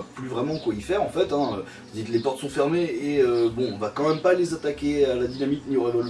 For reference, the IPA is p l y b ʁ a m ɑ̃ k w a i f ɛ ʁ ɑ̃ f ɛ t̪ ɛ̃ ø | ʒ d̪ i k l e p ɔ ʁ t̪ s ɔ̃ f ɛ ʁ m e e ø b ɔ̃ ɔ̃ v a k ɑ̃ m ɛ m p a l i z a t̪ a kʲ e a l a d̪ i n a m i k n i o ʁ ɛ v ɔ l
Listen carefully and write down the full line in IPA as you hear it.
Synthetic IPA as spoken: p l y v ʁ ɛ m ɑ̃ k w a i f ɛ ʁ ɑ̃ f ɛ t̪ ɛ̃ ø | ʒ d̪ i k l e p ɔ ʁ t̪ s ɔ̃ f ɛ ʁ m e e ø b ɔ̃ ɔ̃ v a k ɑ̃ m ɛ m p a l e z a t̪ a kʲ e a l a d̪ i n a m i k n i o ʁ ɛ v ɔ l